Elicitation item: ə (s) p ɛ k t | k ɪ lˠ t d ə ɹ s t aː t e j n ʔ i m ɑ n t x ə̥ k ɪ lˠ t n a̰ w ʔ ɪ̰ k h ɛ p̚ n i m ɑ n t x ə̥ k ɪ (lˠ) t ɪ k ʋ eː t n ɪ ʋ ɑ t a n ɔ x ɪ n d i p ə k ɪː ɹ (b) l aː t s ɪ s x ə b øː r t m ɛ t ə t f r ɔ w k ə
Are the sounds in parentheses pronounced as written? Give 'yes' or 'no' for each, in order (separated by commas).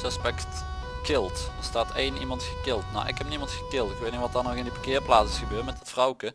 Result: yes, yes, no